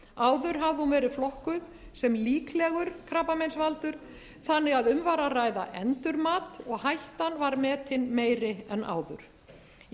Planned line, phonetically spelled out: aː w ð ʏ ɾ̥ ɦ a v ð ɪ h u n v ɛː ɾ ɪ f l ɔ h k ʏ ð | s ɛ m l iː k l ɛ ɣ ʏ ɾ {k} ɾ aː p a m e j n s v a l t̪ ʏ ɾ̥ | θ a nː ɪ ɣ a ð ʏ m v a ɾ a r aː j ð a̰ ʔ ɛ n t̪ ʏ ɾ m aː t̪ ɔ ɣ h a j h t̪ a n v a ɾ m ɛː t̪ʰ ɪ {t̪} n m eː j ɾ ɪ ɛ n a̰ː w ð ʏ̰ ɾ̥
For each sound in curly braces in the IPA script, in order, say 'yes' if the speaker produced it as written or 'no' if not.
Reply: no, no

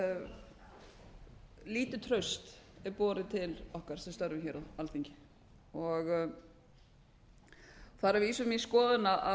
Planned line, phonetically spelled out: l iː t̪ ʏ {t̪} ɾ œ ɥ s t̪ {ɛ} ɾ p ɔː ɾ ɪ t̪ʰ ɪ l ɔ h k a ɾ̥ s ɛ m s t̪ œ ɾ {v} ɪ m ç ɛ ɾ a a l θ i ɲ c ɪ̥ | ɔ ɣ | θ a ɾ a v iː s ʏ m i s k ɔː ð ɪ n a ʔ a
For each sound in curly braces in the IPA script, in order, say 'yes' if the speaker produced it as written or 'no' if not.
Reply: no, yes, yes

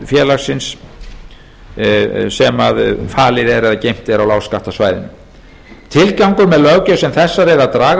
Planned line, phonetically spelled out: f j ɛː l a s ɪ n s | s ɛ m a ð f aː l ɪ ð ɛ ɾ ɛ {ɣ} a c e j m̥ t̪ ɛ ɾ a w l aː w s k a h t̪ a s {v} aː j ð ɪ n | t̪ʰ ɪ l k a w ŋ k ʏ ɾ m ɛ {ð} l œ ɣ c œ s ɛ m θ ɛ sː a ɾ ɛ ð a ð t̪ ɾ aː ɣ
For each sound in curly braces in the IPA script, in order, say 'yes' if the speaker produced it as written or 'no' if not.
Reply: no, yes, yes

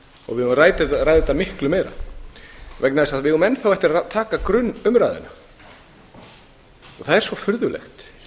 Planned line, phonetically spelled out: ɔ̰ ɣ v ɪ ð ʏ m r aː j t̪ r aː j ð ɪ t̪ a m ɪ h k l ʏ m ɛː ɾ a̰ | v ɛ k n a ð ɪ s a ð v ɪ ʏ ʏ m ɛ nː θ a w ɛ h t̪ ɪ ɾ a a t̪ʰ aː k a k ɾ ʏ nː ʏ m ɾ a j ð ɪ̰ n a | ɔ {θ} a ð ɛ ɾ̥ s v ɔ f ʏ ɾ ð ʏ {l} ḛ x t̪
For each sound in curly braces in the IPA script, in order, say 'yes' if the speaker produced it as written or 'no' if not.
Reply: yes, yes

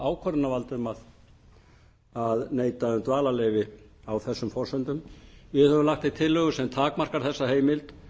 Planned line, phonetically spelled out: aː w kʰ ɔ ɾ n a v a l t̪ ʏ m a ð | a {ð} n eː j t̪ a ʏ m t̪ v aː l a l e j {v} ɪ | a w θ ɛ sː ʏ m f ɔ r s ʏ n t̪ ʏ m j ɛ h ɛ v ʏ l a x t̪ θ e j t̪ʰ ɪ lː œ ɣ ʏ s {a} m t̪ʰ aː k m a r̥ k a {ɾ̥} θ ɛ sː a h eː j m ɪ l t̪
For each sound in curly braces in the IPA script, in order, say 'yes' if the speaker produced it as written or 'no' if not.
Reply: yes, yes, no, yes

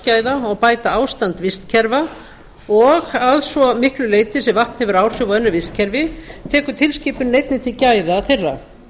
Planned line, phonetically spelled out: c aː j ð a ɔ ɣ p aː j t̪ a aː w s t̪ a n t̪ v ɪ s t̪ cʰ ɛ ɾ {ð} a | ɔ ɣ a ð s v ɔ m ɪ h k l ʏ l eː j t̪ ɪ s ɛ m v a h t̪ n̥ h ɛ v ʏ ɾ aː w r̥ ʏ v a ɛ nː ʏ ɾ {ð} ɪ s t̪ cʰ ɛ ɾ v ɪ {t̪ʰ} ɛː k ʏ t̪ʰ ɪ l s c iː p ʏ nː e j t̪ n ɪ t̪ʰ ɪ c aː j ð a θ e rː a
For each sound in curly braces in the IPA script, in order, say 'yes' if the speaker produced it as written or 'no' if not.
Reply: no, no, yes

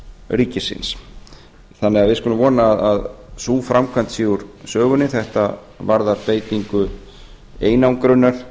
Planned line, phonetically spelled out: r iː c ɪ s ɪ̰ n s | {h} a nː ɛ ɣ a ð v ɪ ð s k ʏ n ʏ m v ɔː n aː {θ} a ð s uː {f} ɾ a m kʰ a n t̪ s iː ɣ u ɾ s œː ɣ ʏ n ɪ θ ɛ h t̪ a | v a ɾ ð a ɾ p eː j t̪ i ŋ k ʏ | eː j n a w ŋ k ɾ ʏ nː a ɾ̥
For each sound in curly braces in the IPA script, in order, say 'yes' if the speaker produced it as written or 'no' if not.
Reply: no, no, yes

